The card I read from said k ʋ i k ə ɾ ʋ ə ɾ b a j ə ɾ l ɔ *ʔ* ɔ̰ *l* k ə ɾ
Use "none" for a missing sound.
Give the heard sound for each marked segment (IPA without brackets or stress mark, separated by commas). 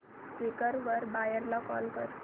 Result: k, l